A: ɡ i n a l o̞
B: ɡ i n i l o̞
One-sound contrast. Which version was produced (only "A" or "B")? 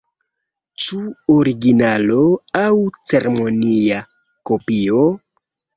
A